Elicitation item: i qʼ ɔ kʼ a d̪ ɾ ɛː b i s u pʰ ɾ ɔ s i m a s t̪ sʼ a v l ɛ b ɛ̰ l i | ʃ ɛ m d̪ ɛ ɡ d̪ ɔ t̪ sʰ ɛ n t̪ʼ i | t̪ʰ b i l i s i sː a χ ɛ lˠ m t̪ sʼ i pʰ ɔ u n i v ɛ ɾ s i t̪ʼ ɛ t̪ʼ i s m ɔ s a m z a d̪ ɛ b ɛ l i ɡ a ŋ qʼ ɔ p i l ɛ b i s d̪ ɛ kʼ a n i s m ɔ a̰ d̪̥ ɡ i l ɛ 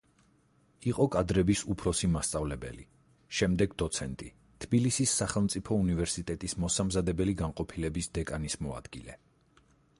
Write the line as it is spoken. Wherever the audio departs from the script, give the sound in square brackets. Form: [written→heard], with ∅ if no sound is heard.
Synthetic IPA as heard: i qʼ ɔ kʼ a d̪ ɾ [ɛː→ɛ] b i s u pʰ ɾ ɔ s i m a s t̪ sʼ a v l ɛ b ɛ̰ l i | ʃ ɛ m d̪ ɛ ɡ d̪ ɔ t̪ sʰ ɛ n t̪ʼ i | t̪ʰ b i l i s i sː a χ ɛ lˠ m t̪ sʼ i pʰ ɔ u n i v ɛ ɾ s i t̪ʼ ɛ t̪ʼ i s m ɔ s a m z a d̪ ɛ b ɛ l i ɡ a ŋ qʼ ɔ [p→pʰ] i l ɛ b i s d̪ ɛ kʼ a n i s m ɔ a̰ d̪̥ ɡ i l ɛ